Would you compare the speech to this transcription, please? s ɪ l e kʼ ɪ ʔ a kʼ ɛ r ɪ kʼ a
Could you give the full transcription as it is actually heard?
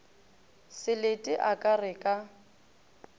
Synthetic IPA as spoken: s ɪ l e tʼ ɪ ʔ a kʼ a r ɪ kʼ a

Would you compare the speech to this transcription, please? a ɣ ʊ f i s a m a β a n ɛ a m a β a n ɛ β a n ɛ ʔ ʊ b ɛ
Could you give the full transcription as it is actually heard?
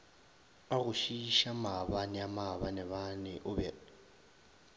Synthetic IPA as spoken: a ɣ ʊ ʃ i ʃ a m a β a n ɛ a m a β a n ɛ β a n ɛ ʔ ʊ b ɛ

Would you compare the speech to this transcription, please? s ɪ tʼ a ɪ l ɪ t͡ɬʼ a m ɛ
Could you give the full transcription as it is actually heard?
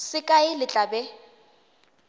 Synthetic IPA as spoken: s ɪ kʼ a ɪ l ɪ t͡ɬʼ a b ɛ

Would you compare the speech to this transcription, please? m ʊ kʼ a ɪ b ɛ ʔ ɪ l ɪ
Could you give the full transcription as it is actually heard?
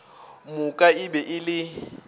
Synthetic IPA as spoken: m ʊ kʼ a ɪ b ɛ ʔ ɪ l ɪ

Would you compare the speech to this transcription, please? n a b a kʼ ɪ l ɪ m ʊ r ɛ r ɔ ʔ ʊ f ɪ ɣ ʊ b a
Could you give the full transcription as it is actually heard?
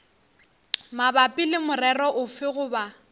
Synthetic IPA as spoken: m a b a pʼ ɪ l ɪ m ʊ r ɛ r ɔ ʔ ʊ f ɪ ɣ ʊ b a

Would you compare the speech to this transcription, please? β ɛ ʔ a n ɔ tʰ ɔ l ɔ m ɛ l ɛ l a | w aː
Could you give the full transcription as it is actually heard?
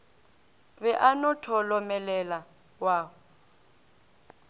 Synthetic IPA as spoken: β ɛ ʔ a n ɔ tʰ ɔ l ɔ m ɛ l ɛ l a | w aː

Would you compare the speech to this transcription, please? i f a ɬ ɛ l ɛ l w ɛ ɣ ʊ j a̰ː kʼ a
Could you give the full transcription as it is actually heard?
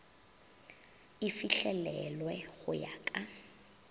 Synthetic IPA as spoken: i f i ɬ ɛ l ɛ l w ɛ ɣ ʊ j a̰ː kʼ a

